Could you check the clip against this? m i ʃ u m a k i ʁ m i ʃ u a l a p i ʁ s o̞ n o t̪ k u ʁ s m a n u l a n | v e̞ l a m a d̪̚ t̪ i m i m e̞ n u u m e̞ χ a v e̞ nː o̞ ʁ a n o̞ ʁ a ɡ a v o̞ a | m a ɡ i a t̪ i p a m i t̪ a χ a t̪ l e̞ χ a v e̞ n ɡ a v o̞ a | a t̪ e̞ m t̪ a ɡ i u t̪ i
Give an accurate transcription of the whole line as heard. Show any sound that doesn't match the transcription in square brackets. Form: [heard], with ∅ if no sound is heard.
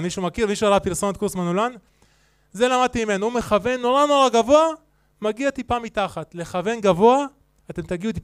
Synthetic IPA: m i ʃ u m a k i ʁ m i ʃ u a l a p i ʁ s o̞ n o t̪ k u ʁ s m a n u l a n | [z] e̞ l a m a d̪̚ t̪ i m i m e̞ n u u m e̞ χ a v e̞ nː o̞ ʁ a n o̞ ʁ a ɡ a v o̞ a | m a ɡ i a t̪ i p a m i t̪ a χ a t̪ l e̞ χ a v e̞ n ɡ a v o̞ a | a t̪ e̞ m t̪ a ɡ i u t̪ i